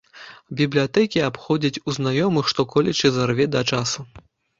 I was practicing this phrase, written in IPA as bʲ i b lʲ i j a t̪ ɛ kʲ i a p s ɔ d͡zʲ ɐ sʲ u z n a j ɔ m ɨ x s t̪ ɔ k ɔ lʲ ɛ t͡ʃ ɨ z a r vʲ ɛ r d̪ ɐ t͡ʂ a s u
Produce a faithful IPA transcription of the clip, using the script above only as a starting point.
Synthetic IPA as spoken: bʲ i b lʲ i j a t̪ ɛ kʲ i a p x ɔ d͡zʲ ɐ t͡sʲ u z n a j ɔ m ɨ x ʂ t̪ ɔ k ɔ lʲ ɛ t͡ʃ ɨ z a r vʲ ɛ d̪ ɐ t͡ʂ a s u